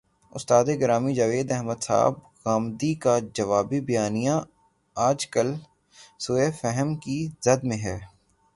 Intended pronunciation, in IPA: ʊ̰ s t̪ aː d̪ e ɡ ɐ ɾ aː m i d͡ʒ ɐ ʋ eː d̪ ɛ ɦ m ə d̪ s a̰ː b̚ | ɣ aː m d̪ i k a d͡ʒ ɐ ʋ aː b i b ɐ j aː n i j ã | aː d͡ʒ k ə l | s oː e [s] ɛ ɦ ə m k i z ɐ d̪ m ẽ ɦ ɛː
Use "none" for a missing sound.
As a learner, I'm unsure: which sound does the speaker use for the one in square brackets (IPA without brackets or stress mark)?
f